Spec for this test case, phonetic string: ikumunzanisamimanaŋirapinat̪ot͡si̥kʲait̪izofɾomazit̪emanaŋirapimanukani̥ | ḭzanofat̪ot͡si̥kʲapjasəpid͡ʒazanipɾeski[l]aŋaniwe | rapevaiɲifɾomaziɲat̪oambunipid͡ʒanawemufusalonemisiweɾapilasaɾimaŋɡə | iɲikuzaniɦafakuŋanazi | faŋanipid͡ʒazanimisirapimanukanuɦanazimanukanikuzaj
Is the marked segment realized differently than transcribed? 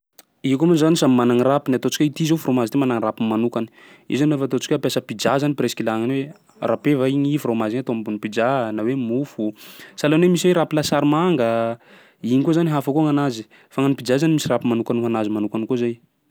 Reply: no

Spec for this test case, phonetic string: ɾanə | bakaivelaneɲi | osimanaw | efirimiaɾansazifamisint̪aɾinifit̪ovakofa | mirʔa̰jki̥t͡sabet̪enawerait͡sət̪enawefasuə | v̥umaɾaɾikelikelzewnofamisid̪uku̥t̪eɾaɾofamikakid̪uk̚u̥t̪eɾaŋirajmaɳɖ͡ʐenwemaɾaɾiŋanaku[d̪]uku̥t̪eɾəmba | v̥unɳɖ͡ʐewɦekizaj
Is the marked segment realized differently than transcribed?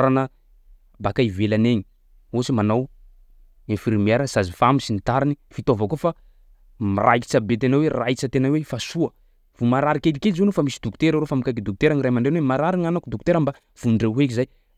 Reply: no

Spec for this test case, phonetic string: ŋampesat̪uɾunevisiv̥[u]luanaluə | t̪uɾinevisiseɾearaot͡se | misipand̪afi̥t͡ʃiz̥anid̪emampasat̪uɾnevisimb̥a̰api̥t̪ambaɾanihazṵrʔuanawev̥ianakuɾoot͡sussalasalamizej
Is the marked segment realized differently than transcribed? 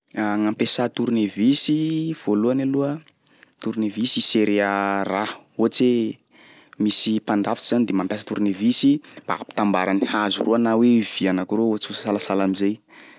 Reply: yes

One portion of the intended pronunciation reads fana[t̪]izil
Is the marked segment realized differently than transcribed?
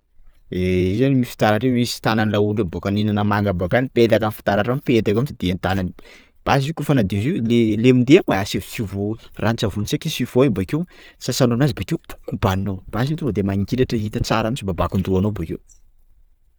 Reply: yes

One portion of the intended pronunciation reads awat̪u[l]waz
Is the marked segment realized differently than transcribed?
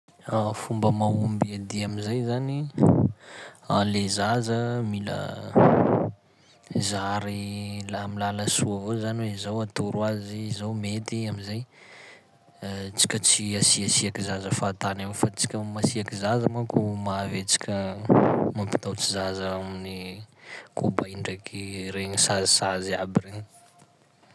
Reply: yes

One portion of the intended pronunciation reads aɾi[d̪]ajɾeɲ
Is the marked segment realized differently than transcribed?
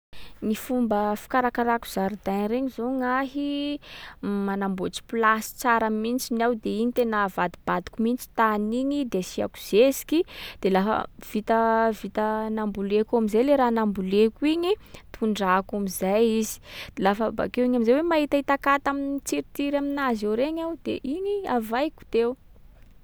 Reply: no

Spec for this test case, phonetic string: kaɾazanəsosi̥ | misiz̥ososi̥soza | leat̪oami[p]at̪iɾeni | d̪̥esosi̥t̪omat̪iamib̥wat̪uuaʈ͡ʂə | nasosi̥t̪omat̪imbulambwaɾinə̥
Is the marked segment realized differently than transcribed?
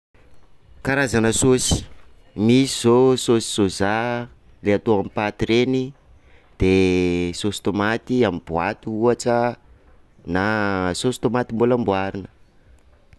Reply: no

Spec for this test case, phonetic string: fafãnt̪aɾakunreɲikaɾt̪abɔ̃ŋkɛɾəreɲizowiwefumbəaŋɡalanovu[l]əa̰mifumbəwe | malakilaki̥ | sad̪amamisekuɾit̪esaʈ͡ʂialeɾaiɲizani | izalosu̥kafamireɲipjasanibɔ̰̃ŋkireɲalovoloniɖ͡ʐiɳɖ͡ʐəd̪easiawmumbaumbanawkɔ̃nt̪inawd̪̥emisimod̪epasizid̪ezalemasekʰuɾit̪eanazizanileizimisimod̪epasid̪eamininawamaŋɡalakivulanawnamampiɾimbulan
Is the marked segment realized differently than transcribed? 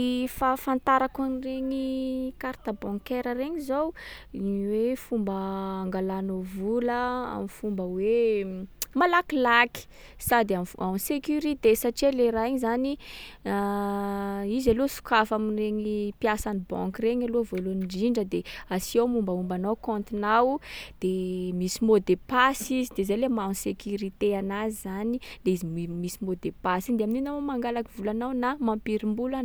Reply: no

